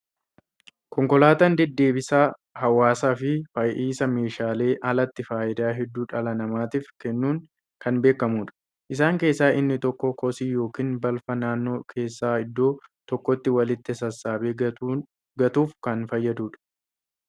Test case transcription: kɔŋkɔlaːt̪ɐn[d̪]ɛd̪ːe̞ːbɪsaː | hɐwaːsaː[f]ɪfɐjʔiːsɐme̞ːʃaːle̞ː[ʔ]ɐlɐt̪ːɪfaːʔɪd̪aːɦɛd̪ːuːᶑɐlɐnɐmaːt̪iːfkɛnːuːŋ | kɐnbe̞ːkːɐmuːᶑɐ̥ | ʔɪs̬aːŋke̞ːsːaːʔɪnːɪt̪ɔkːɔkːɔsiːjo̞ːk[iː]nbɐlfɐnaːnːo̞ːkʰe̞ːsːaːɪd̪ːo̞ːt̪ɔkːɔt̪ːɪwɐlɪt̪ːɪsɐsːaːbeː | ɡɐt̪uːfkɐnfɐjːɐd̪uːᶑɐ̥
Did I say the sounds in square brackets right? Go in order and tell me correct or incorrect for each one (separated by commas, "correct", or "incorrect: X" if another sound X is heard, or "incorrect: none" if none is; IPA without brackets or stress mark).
correct, correct, correct, correct